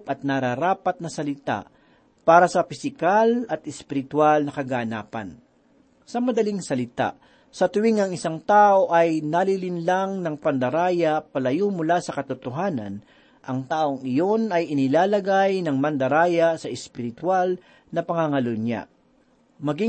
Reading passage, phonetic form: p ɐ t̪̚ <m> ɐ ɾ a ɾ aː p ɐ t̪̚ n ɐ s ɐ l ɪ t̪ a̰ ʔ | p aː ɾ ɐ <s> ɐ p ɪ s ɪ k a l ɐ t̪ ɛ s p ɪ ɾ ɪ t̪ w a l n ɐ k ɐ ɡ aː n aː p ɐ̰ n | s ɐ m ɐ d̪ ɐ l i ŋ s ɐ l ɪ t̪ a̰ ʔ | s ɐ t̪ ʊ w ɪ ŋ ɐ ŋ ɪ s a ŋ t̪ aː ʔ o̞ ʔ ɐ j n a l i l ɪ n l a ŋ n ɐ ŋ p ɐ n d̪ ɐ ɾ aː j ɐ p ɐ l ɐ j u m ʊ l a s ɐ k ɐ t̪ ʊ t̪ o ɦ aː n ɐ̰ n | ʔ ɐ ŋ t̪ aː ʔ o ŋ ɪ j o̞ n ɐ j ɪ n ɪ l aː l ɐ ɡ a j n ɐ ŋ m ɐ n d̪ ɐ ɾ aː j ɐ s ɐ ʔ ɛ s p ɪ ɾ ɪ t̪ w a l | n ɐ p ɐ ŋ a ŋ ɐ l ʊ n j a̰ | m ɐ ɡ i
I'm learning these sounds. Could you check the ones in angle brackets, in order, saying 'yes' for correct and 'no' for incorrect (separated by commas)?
no, yes